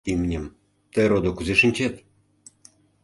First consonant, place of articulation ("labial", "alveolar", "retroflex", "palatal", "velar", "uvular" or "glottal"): labial